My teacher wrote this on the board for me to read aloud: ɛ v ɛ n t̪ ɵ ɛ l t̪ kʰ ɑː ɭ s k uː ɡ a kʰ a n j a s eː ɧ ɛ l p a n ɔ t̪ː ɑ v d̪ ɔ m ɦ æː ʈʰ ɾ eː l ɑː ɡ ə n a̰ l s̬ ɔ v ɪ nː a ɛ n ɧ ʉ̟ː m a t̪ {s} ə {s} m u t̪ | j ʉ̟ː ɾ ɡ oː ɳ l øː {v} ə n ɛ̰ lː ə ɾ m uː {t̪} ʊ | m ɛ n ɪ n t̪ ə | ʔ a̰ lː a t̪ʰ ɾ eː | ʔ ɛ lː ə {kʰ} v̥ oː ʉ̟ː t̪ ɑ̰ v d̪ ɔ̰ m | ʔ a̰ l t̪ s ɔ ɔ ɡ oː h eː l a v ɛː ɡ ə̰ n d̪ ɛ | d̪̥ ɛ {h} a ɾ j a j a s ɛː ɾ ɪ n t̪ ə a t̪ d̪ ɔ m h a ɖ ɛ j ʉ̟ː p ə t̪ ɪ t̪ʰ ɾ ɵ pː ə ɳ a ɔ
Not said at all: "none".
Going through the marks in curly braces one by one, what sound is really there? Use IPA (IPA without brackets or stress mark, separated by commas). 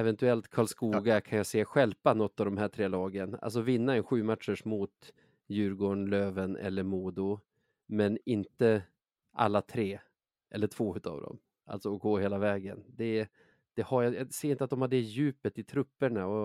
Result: ʂ, ʂ, v, d̪, ʈʰ, h